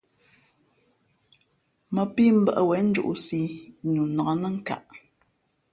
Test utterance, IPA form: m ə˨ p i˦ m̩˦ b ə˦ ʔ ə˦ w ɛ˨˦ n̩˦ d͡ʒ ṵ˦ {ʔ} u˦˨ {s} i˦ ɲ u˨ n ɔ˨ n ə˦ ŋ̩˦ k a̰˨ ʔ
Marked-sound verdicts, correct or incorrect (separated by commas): correct, correct